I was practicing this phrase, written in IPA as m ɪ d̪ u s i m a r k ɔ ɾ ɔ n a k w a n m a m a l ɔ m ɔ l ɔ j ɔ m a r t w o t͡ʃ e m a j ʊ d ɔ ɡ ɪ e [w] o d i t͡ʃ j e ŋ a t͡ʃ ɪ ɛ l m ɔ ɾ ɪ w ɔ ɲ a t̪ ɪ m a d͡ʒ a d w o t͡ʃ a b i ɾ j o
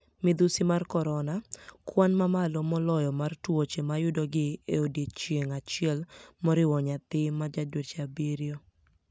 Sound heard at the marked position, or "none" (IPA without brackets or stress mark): none